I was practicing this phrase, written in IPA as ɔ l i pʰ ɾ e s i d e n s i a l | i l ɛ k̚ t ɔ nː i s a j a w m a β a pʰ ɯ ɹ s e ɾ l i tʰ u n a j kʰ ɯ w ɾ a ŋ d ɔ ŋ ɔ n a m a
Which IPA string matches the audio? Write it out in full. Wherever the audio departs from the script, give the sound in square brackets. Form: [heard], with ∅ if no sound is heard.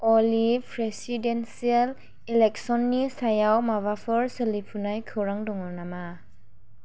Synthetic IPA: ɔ l i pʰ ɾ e s i d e n s i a l | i l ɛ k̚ [s] ɔ nː i s a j a w m a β a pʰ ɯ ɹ s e [∅] l i [pʰ] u n a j kʰ ɯ w ɾ a ŋ d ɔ ŋ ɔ n a m a